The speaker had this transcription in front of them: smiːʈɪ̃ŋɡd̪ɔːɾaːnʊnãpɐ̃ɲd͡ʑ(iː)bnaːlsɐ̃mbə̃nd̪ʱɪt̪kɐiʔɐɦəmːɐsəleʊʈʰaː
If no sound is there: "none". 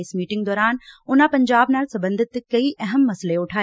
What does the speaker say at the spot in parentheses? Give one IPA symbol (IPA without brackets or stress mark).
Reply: aː